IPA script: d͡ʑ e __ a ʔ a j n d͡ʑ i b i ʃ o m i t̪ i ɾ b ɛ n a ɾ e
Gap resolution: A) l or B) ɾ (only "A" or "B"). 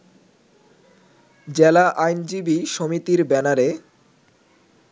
A